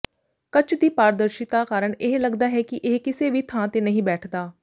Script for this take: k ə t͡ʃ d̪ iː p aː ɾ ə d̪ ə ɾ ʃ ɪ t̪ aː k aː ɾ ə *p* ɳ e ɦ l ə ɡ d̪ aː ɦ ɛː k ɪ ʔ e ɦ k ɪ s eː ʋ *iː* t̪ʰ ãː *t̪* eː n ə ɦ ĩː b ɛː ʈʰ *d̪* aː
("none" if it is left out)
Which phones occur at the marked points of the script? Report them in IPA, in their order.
none, iː, t̪, d̪

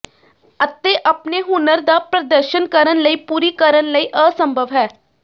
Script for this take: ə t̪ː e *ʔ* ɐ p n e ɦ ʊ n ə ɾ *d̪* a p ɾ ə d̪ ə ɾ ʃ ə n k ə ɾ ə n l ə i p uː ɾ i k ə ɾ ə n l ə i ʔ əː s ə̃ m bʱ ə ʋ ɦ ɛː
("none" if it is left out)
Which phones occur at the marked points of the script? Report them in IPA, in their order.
ʔ, d̪

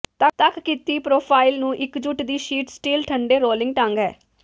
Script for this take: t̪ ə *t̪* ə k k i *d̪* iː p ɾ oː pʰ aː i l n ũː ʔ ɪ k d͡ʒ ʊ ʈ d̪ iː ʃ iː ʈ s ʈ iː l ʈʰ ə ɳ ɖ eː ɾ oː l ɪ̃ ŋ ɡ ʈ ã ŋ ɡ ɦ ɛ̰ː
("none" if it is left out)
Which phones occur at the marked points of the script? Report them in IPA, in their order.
t̪, t̪

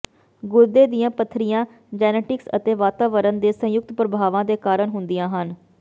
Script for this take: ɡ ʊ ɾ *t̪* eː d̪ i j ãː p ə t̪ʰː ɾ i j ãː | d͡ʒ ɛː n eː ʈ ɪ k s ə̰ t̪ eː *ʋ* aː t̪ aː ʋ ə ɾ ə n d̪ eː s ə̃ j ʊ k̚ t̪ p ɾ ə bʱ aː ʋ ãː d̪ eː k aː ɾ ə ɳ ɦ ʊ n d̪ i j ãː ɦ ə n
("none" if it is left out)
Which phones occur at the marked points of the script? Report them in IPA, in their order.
d̪, ʋ

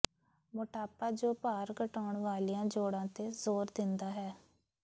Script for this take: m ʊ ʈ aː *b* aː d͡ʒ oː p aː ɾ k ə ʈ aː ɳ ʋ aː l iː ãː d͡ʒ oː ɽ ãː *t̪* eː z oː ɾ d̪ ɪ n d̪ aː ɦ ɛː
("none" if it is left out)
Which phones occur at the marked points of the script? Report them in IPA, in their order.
p, t̪

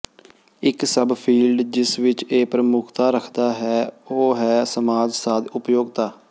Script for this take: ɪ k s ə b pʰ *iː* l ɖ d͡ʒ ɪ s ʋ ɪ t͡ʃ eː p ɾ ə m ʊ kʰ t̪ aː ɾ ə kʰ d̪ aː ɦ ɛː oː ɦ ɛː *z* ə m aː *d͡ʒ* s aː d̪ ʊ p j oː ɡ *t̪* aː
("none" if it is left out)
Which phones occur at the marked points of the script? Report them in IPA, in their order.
iː, s, d͡ʒ, t̪

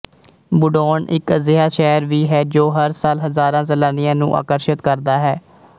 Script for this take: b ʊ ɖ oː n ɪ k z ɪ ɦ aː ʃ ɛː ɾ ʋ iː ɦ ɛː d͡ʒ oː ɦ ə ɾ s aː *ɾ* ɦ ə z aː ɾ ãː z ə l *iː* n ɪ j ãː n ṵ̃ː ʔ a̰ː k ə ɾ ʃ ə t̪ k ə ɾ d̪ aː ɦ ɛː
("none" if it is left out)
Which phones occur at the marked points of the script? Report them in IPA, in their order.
l, aː

